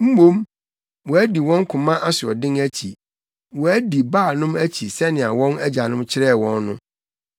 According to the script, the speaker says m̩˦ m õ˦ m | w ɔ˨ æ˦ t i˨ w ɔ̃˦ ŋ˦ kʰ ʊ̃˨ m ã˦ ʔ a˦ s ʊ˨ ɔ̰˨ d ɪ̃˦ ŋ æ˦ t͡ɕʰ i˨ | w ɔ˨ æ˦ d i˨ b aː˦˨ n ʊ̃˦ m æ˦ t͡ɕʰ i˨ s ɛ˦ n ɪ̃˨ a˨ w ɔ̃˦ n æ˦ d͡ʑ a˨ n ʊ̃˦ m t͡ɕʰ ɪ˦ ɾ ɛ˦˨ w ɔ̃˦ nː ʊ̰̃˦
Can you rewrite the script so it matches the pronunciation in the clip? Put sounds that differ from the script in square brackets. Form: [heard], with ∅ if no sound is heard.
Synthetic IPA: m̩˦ m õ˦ m | w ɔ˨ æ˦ [d] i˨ w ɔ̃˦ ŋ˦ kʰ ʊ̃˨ m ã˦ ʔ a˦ s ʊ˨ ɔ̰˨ d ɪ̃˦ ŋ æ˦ t͡ɕʰ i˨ | w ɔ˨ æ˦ d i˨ b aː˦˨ n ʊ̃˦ m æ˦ t͡ɕʰ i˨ s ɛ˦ n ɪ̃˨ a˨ w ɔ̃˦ n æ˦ d͡ʑ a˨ n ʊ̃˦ m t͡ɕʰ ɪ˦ ɾ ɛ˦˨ w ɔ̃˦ nː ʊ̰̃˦